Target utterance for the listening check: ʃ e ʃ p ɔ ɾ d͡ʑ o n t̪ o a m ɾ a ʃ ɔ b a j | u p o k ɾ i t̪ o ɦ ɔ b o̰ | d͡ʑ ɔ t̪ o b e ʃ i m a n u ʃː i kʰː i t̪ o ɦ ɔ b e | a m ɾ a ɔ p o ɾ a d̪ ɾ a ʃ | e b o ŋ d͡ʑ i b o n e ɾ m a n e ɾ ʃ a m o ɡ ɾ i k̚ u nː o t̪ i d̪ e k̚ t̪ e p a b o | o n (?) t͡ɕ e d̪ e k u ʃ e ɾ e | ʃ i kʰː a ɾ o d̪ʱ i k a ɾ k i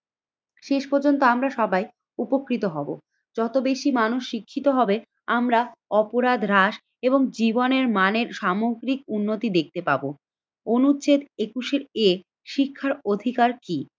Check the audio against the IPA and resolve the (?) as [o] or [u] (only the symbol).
u